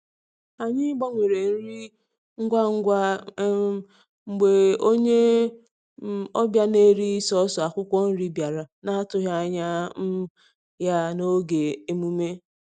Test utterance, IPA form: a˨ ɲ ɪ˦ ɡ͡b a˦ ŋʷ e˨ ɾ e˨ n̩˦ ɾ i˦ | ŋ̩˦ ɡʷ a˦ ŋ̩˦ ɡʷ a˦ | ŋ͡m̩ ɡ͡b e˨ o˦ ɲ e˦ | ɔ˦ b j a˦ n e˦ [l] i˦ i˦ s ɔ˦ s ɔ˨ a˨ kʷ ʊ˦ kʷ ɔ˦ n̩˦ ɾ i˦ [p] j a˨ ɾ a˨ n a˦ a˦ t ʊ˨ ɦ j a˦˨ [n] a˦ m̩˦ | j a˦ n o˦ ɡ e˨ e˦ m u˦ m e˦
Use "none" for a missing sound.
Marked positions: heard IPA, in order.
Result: ɾ, b, ɲ

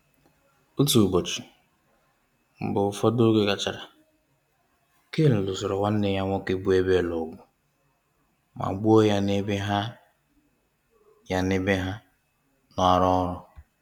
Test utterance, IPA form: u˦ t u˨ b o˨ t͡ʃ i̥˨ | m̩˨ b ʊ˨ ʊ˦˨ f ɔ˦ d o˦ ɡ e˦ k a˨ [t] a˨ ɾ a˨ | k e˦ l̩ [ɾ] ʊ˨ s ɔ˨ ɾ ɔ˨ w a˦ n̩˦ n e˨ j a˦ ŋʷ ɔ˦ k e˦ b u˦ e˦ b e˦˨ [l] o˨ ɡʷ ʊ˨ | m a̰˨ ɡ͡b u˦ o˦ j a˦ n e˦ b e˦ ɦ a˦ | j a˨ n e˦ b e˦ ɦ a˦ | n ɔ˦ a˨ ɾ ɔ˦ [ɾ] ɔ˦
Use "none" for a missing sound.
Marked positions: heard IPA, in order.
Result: t͡ʃ, l, l, ɾ

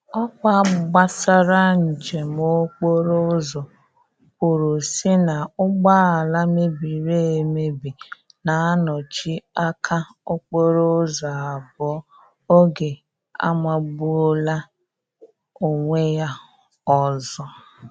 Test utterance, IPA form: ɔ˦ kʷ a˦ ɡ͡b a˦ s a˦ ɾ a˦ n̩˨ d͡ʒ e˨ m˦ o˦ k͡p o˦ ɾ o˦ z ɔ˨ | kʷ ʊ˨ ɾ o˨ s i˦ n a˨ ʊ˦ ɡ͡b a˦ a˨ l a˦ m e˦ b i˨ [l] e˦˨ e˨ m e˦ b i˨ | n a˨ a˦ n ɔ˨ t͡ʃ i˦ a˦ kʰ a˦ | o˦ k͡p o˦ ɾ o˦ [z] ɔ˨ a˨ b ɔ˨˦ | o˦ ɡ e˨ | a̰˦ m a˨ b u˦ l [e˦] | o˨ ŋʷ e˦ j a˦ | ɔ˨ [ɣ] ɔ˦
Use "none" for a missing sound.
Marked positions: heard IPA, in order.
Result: ɾ, z, a˦, z

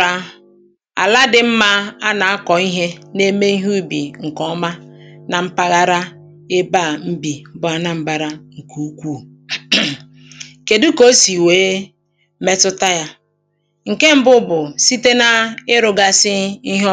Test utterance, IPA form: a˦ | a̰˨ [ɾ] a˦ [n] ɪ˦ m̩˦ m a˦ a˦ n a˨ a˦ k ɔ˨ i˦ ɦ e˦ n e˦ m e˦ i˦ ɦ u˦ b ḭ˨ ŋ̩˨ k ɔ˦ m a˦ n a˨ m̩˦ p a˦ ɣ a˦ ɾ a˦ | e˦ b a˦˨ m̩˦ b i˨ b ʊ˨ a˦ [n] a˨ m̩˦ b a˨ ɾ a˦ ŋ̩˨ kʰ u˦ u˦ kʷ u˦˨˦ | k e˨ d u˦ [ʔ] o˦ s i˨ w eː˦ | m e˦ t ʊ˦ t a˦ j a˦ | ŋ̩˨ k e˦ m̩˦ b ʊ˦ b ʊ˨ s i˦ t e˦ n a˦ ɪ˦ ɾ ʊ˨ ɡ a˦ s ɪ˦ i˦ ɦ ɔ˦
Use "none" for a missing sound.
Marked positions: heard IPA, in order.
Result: l, d, n, k

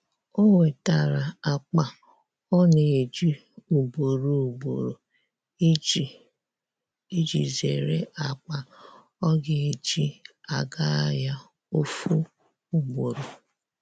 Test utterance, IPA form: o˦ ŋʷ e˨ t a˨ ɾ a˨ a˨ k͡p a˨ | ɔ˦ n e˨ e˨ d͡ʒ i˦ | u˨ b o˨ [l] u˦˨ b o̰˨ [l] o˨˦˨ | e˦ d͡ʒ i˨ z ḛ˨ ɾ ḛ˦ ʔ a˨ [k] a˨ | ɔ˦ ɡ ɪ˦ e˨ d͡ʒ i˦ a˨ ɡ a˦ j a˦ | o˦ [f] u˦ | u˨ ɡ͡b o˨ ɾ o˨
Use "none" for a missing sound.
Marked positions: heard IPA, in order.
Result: ɾ, ɾ, k͡p, f

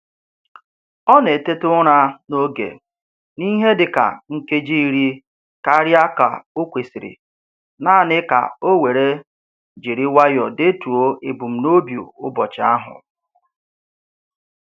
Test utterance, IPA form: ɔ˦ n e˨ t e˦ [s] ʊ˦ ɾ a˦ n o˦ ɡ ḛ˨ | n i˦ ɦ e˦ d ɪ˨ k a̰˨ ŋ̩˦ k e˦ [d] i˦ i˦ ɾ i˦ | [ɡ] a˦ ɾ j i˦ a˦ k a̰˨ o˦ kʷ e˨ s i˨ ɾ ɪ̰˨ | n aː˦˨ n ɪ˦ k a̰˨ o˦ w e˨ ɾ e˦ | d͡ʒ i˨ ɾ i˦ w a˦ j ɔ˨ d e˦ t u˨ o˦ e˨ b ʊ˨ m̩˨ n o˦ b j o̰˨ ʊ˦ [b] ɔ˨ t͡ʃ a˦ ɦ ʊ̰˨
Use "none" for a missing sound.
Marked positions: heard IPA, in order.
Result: t, d͡ʒ, k, b

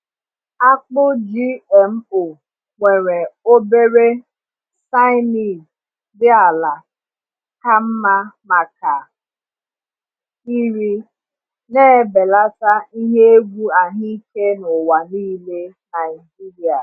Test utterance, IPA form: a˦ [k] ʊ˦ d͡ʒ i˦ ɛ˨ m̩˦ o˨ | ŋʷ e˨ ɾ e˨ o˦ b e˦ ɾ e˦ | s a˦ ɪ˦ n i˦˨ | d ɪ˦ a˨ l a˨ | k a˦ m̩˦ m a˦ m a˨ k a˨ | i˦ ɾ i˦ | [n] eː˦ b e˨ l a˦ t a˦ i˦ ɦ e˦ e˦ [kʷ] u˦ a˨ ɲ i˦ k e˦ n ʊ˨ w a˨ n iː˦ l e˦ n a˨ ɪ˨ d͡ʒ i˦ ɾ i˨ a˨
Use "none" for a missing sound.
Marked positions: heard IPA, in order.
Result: k͡p, n, ɡʷ

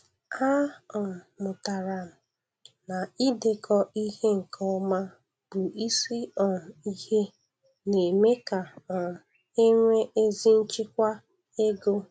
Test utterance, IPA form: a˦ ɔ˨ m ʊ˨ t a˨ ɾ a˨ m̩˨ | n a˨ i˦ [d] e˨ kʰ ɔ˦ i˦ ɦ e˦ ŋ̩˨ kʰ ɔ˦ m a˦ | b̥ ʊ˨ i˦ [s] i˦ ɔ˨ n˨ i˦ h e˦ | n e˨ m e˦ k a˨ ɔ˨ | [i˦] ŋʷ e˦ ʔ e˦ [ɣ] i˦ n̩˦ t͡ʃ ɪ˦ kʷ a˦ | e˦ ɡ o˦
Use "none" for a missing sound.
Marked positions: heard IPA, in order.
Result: d, s, e˦, z

